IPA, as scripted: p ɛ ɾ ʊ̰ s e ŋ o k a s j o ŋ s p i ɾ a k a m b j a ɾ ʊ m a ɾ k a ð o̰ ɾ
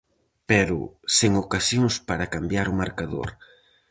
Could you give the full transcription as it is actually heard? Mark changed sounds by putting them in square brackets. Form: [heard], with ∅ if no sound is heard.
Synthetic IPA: p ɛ ɾ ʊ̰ s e ŋ o k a s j o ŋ s p [a] ɾ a k a m b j a ɾ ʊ m a ɾ k a ð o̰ ɾ